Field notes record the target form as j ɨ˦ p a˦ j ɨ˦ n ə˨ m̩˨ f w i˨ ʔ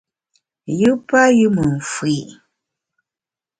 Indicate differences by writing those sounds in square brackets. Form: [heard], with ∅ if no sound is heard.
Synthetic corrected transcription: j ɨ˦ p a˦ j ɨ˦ [m] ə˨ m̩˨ f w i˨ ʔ